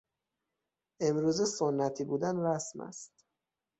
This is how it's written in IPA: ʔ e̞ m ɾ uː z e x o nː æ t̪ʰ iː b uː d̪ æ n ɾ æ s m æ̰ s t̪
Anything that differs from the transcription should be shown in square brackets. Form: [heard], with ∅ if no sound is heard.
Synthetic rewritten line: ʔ e̞ m ɾ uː z e [s] o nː æ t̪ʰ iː b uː d̪ æ n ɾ æ s m æ̰ s t̪

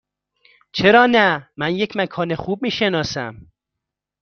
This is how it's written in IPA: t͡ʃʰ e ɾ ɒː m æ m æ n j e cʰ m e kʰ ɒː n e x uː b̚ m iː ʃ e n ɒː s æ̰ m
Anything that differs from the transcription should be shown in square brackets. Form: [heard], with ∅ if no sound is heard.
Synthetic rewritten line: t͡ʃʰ e ɾ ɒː [n] æ m æ n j e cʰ m [æ] kʰ ɒː n e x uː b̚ m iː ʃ e n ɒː s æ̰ m

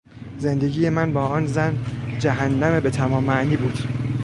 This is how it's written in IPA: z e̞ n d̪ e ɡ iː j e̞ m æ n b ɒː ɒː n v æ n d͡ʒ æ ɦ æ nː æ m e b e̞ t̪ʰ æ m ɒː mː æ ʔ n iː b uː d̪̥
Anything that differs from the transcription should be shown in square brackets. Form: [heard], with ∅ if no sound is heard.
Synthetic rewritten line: z e̞ n d̪ e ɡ iː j e̞ m æ n b ɒː ɒː n [z] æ n d͡ʒ æ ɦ æ nː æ m e b e̞ t̪ʰ æ m ɒː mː æ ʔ n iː b uː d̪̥

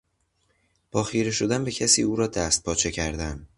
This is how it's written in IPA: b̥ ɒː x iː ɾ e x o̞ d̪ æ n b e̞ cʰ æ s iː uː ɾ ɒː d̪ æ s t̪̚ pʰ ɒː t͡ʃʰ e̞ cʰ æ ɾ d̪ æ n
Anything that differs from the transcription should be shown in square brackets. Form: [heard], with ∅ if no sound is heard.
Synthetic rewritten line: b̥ ɒː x iː ɾ e [ʃ] o̞ d̪ æ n b e̞ cʰ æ s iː uː ɾ ɒː d̪ æ s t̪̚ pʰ ɒː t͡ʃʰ e̞ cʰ æ ɾ d̪ æ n

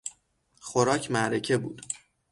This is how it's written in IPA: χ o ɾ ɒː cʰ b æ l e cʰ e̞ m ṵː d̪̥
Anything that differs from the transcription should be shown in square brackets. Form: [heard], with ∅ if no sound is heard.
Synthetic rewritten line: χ o ɾ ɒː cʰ [m] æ [ɾ] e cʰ e̞ [b] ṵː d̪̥

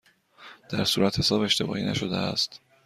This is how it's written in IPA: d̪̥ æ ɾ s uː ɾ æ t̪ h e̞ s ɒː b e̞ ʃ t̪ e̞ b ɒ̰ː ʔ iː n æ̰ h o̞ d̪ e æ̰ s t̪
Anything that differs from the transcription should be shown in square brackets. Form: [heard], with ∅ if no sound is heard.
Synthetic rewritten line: d̪̥ æ ɾ s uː ɾ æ t̪ h e̞ s ɒː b e̞ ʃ t̪ e̞ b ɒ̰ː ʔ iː n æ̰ [ʃ] o̞ d̪ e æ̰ s t̪

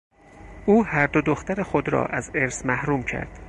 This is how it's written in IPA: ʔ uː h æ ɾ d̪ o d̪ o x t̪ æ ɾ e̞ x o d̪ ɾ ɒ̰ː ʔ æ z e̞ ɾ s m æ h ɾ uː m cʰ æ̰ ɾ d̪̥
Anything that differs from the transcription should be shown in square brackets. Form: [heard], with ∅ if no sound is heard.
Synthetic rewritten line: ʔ uː h æ ɾ d̪ o d̪ o x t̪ æ ɾ e̞ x o d̪ ɾ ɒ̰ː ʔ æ z e̞ ɾ s m æ h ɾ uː m cʰ æ̰ ɾ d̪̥

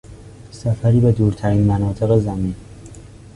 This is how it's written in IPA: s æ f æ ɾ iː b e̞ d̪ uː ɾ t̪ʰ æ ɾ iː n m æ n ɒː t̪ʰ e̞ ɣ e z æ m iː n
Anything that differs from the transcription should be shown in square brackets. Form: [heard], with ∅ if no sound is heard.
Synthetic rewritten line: s æ f æ ɾ iː b e̞ d̪ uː ɾ t̪ʰ æ ɾ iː n m æ n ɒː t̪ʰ e̞ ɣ e z æ m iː n

